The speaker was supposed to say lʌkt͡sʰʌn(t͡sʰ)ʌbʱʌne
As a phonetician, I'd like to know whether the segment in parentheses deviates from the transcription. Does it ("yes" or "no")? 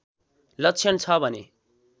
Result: no